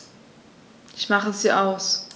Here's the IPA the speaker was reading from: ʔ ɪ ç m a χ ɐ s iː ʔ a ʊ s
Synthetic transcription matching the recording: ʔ ɪ ç m a χ ə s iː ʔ a ʊ s